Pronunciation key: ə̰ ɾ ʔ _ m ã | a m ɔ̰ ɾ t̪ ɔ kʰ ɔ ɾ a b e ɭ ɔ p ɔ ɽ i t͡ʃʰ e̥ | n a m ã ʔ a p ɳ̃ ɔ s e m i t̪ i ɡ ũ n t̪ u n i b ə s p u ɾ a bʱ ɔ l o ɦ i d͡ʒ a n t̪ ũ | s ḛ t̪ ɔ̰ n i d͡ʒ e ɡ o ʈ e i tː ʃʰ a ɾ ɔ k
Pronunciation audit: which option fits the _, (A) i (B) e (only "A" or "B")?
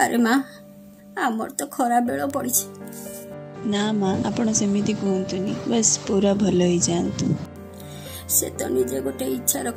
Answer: B